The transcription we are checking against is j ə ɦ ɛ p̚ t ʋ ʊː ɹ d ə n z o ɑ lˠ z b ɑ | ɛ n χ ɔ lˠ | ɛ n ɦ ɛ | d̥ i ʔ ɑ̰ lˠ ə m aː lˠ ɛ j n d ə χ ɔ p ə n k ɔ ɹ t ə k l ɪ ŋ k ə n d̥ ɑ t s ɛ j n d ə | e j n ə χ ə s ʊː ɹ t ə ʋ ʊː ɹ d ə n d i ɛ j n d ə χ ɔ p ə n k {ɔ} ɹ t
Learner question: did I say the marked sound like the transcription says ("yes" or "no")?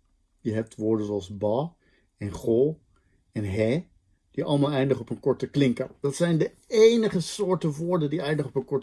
yes